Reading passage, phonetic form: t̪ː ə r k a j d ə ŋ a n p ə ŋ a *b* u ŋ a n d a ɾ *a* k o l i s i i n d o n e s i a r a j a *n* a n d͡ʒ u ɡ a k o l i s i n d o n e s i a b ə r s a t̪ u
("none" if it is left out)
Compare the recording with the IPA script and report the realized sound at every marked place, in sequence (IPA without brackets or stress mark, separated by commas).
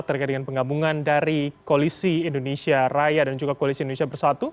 b, i, d